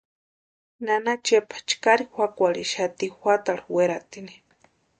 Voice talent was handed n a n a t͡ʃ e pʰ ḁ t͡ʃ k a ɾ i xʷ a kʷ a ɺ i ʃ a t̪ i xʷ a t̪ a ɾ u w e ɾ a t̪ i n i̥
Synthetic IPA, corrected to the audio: n a n a t͡ʃ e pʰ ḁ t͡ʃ k a ɾ i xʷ a kʷ a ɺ i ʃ a t̪ i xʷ a t̪ a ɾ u w e ɾ a t̪ i n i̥

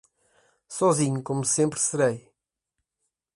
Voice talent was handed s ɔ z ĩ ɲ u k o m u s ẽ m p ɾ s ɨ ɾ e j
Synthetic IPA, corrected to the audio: s ɔ z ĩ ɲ u k o m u s ẽ m p ɾ s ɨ ɾ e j

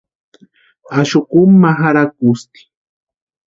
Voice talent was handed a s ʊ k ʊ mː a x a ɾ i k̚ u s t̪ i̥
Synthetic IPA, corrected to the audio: a ʃ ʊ k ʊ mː a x a ɾ a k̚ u s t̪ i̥

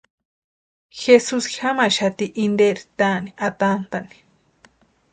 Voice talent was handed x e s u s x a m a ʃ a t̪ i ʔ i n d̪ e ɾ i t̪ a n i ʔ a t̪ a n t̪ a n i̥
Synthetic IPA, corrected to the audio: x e s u s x a m a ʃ a t̪ i ʔ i n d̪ e ɾ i t̪ a n i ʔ a t̪ a n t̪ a n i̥

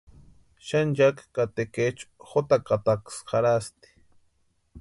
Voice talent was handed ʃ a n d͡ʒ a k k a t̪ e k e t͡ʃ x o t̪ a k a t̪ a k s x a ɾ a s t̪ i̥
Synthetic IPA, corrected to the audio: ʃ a n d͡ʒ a k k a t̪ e k e t͡ʃ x o t̪ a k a t̪ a k s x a ɾ a s t̪ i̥

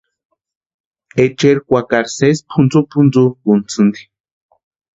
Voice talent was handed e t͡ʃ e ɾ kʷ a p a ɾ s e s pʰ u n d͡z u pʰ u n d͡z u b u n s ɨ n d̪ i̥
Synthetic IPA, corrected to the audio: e t͡ʃ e ɾ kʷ a k a ɾ s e s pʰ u n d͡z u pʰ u n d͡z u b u n t͡s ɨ n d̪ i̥

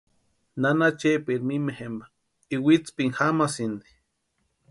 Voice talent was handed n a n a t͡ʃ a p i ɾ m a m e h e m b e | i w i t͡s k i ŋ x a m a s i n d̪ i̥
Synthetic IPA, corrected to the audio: n a n a t͡ʃ e p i ɾ m i m e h e m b a | i w i t͡s p i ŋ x a m a s i n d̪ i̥

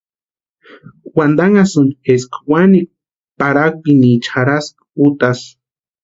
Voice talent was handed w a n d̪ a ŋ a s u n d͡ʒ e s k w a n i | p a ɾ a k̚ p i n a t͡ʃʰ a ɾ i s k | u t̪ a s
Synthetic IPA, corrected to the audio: w a n d̪ a ŋ a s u n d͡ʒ e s k w a n i | p a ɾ a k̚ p i n i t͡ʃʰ a ɾ a s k | u t̪ a s

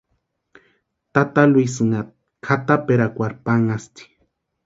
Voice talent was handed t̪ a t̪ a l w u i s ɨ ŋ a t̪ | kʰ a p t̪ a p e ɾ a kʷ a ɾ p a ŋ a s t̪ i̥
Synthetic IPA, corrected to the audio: t̪ a t̪ a l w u i s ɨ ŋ a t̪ | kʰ a t̪ a p e ɾ a kʷ a ɾ p a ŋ a s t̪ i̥

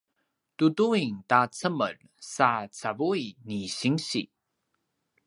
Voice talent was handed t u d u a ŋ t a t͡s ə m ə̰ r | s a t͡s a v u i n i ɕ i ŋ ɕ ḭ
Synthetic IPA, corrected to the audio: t u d u i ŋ t a t͡s ə m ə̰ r | s a t͡s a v u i n i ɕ i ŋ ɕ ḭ

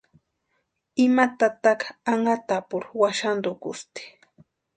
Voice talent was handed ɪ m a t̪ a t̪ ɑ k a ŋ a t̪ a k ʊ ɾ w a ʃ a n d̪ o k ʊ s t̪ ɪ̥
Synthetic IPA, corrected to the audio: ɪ m a t̪ a t̪ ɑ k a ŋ a t̪ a p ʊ ɾ w a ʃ a n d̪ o k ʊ s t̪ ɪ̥

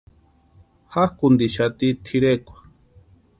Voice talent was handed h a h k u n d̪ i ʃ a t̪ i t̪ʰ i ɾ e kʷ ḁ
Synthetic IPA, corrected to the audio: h a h k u n d̪ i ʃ a t̪ i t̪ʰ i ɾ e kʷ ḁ

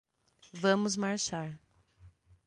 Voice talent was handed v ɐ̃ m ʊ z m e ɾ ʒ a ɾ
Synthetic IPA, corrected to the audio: v ɐ̃ m ʊ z m a ɾ ʃ a ɾ

